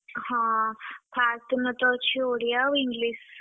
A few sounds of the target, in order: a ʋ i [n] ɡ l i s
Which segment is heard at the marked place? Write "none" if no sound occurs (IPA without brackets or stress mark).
ŋ